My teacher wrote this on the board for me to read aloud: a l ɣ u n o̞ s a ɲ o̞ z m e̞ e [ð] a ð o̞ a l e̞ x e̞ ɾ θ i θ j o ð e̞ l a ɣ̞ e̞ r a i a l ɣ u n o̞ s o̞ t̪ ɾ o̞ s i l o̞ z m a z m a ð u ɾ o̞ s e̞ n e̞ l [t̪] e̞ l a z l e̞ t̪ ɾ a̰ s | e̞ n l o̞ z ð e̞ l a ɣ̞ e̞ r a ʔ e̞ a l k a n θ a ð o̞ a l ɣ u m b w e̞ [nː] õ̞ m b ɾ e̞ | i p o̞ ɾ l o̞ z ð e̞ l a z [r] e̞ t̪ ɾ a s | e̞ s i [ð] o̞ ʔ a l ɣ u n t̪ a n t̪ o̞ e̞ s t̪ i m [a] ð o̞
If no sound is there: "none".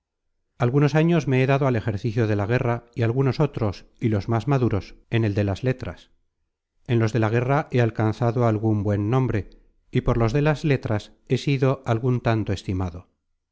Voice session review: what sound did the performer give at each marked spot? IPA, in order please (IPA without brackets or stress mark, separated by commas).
ð, d̪, nː, l, ð, a